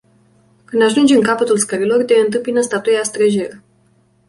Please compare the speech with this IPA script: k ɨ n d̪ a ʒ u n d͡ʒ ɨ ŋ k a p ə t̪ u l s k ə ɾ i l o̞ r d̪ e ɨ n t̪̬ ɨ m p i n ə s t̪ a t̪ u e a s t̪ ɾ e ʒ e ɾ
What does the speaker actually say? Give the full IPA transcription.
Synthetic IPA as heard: k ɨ n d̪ a ʒ u n d͡ʒ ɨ ŋ k a p ə t̪ u l s k ə ɾ i l o̞ r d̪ e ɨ n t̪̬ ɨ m p i n ə s t̪ a t̪ u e a s t̪ ɾ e ʒ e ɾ